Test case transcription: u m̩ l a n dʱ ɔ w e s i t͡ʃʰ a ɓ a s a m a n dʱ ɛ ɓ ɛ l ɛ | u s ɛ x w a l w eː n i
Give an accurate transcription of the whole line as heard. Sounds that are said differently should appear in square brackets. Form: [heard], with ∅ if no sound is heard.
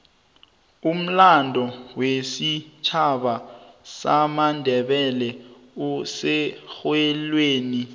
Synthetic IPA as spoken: u m̩ l a n dʱ ɔ w e s i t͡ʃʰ a ɓ a s a m a n dʱ ɛ ɓ ɛ l ɛ | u s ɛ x w [ɛ] l w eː n i